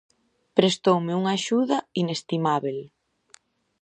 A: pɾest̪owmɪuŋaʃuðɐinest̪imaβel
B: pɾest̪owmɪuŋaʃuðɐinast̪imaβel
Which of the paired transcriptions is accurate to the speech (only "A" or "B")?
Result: A